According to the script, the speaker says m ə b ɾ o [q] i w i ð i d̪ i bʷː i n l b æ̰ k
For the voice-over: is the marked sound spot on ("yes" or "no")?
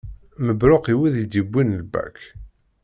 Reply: yes